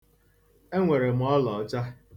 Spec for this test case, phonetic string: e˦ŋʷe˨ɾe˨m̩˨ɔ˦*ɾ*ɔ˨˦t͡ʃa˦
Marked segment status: incorrect: l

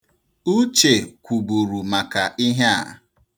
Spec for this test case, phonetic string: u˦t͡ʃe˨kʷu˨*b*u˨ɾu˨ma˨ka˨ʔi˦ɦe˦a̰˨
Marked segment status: correct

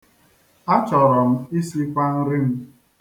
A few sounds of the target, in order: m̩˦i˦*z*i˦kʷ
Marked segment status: incorrect: s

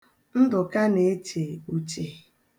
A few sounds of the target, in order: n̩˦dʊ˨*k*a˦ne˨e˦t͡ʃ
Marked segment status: correct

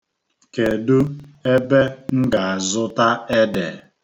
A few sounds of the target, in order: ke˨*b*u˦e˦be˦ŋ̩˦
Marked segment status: incorrect: d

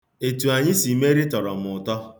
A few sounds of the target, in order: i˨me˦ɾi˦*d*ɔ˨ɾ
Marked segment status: incorrect: t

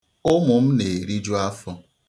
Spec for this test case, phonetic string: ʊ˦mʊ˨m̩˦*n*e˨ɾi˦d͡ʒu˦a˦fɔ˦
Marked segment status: correct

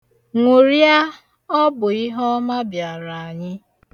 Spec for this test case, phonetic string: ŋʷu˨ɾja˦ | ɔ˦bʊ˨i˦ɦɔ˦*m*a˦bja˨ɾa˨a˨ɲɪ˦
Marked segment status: correct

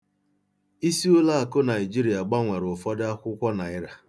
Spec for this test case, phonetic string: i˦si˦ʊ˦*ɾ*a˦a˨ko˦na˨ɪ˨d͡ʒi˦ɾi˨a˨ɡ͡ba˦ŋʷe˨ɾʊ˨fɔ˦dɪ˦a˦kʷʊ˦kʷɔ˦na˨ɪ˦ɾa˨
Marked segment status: incorrect: l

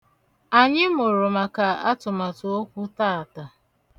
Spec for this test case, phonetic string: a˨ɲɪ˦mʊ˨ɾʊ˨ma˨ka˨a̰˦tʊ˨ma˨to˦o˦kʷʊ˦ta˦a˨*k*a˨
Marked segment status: incorrect: t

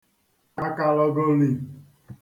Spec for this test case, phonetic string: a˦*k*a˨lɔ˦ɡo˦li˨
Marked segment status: correct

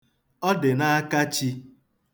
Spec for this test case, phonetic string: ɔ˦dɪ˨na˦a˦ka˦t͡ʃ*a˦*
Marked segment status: incorrect: i˦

